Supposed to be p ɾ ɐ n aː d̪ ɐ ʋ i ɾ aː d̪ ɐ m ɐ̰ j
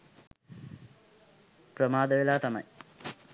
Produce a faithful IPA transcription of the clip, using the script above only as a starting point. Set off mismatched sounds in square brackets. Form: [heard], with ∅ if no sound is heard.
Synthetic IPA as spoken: p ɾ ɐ [m] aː d̪ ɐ ʋ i [l] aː [t̪] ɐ m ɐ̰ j